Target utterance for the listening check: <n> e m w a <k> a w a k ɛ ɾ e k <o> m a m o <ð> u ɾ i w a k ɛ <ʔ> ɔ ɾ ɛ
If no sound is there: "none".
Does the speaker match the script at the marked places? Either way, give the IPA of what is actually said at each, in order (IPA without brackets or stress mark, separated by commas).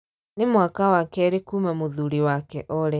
n, k, u, ð, ʔ